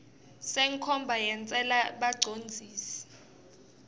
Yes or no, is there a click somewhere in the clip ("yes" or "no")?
yes